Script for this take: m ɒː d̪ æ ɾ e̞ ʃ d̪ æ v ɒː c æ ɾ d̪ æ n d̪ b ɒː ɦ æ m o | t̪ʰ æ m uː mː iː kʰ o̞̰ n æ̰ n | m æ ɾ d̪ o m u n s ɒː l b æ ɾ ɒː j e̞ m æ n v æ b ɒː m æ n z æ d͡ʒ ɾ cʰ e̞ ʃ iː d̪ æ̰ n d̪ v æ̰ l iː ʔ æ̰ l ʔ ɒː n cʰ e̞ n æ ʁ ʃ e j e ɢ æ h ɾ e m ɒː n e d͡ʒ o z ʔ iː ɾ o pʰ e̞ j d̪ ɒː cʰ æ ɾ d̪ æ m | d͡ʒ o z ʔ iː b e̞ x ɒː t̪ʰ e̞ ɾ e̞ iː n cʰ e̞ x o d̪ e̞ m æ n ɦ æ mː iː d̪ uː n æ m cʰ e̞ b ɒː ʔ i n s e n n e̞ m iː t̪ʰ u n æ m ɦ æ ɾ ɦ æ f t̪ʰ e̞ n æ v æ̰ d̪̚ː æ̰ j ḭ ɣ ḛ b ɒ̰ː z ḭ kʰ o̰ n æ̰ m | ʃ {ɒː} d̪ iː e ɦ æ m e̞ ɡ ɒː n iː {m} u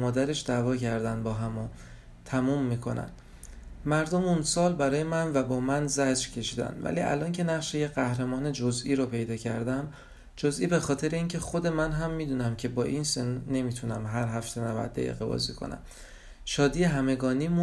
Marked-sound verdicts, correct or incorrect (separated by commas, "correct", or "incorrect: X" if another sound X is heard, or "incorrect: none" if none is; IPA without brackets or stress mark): correct, correct